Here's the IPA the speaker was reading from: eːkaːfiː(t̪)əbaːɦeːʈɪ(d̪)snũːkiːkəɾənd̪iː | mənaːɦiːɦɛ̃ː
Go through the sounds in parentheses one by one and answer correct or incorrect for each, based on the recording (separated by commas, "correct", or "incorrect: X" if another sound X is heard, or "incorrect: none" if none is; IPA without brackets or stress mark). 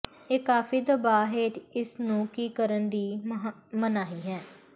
incorrect: d̪, incorrect: none